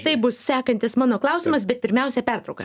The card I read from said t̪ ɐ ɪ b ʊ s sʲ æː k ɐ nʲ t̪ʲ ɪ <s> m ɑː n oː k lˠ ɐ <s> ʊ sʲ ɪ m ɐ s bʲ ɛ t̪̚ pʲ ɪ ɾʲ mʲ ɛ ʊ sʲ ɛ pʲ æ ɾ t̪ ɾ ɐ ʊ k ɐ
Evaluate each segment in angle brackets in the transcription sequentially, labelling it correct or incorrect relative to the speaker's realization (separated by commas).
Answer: correct, incorrect